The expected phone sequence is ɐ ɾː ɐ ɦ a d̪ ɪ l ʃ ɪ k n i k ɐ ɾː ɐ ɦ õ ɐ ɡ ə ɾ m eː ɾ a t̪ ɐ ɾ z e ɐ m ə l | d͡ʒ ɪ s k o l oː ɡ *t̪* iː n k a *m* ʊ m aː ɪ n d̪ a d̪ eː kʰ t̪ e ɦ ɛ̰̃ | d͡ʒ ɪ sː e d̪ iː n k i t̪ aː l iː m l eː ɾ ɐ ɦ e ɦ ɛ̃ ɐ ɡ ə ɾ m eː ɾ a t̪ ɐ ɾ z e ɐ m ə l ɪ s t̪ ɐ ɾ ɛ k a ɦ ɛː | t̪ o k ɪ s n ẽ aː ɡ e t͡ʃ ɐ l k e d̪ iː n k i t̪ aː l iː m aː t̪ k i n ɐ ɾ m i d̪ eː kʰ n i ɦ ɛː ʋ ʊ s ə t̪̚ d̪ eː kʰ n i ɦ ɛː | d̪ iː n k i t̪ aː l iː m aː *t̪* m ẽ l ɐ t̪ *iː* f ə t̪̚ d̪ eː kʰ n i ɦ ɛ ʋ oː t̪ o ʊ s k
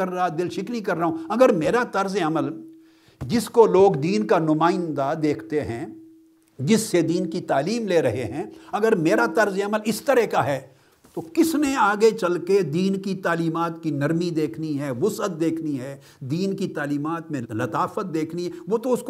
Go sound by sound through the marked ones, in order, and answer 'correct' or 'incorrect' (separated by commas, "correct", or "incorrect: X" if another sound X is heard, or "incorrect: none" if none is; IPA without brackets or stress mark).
incorrect: d̪, incorrect: n, correct, incorrect: aː